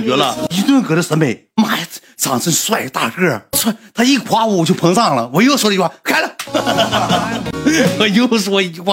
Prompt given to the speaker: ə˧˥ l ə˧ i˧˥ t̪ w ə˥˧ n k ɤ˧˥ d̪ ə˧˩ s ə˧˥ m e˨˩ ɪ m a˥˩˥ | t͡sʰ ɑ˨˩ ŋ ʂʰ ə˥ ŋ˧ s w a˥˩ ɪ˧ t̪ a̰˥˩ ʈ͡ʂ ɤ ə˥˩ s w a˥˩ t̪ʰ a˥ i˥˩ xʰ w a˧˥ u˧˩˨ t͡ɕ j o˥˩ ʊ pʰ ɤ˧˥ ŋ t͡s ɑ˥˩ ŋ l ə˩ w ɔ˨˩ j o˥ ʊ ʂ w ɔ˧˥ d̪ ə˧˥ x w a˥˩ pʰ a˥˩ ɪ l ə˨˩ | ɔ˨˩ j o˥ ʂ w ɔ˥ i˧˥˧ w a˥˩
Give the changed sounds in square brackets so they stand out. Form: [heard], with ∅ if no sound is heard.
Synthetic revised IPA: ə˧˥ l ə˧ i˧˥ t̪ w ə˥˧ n k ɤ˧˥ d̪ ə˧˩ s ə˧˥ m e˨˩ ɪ m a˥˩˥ | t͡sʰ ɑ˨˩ ŋ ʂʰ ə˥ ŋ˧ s w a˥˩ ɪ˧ t̪ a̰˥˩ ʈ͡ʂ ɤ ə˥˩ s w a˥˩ t̪ʰ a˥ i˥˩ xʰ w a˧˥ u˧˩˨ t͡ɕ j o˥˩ ʊ pʰ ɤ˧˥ ŋ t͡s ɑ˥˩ ŋ l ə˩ w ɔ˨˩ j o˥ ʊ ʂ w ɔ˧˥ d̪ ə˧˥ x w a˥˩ [kʰ] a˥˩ ɪ l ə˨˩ | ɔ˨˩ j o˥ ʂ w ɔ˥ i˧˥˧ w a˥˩